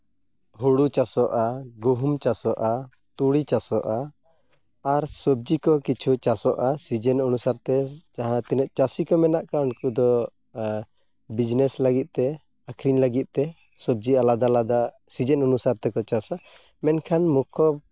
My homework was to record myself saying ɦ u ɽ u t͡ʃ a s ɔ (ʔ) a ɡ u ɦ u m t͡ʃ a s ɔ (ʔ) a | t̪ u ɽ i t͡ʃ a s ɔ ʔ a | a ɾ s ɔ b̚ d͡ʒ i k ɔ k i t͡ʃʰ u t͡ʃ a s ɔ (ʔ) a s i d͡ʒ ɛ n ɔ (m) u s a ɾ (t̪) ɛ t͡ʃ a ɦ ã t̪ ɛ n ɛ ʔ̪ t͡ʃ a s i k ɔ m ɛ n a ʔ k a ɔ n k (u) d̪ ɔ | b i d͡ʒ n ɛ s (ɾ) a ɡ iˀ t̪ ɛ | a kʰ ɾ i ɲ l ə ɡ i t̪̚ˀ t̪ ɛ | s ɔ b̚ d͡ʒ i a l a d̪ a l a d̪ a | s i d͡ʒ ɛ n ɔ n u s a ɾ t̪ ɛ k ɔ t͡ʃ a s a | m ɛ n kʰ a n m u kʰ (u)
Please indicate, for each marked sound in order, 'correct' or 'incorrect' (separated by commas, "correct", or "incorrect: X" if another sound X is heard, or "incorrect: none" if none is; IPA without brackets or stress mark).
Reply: correct, correct, correct, incorrect: n, correct, correct, incorrect: l, incorrect: ɔ